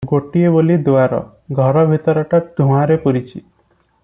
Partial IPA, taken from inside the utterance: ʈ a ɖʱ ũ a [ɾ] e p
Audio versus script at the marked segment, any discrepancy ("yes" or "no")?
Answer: no